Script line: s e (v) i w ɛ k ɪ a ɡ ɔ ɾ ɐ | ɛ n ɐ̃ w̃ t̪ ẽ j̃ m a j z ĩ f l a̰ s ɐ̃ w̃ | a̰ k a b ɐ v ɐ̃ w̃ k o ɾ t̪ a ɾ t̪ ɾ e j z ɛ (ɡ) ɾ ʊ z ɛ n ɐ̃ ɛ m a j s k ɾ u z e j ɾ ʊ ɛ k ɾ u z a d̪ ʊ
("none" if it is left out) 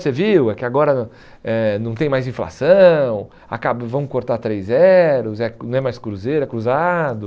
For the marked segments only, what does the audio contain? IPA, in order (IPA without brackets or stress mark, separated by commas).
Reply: v, none